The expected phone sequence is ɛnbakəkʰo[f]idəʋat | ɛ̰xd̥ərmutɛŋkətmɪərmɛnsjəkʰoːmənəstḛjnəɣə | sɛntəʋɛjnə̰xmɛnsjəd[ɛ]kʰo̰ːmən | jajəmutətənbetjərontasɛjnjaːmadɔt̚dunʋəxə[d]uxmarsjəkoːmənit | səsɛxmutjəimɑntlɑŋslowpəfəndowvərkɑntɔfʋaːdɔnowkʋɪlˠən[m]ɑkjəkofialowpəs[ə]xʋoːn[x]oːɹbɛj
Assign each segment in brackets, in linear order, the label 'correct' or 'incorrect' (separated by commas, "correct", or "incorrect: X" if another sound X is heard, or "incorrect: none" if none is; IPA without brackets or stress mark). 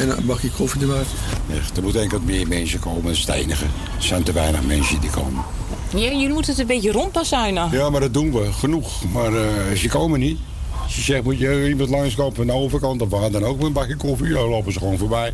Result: correct, incorrect: i, incorrect: n, incorrect: b, correct, incorrect: f